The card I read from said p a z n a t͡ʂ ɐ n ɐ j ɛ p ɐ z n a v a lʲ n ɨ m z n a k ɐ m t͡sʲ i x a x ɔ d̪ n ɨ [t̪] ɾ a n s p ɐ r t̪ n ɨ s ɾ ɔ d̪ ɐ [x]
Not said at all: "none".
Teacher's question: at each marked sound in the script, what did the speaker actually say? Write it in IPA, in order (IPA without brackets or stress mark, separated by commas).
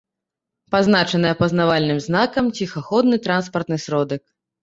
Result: t̪, k